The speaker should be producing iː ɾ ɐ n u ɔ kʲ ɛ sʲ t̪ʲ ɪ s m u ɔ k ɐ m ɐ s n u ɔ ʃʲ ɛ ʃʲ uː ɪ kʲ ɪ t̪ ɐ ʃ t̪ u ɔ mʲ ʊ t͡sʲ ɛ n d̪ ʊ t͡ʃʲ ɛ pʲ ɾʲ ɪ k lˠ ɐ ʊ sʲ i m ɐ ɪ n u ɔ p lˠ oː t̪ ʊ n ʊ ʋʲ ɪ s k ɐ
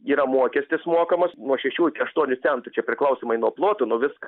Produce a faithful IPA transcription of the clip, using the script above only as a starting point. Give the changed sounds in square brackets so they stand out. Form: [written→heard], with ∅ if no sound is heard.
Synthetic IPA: iː ɾ ɐ [n→m] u ɔ kʲ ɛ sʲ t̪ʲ ɪ s m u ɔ k ɐ m ɐ s n u ɔ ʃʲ ɛ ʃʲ uː ɪ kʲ ɪ [t̪→∅] ɐ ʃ t̪ u ɔ [mʲ→nʲ] ʊ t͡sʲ ɛ n [d̪→t̪] ʊ t͡ʃʲ ɛ pʲ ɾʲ ɪ k lˠ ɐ ʊ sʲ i m ɐ ɪ n u ɔ p lˠ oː t̪ ʊ n ʊ ʋʲ ɪ s k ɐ